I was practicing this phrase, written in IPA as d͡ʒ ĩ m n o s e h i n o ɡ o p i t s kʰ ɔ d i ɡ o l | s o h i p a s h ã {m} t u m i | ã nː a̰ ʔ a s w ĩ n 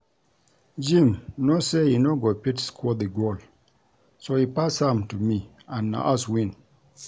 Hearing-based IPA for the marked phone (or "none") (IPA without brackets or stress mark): m